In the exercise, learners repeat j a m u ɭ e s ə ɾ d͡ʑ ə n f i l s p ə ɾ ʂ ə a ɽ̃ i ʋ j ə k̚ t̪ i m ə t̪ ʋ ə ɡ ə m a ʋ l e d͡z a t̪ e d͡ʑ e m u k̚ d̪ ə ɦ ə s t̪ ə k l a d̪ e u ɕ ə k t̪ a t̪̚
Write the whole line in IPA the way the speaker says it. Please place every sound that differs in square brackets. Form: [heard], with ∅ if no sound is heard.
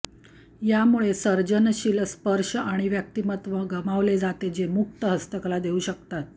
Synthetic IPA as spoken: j a m u ɭ e s ə ɾ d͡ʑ ə n [ɕ] i l s p ə ɾ ʂ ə a ɽ̃ i ʋ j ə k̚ t̪ i m ə t̪ ʋ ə ɡ ə m a ʋ l e d͡z a t̪ e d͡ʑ e m u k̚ [t̪] ə ɦ ə s t̪ ə k l a d̪ e u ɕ ə k t̪ a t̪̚